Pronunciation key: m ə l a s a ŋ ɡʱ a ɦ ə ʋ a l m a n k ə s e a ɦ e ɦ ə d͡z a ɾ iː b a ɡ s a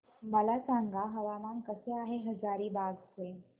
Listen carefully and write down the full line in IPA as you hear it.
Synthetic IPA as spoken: m ə l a s a ŋ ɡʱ a ɦ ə ʋ a m a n k ə s e a ɦ e ɦ ə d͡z a ɾ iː b a ɡ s e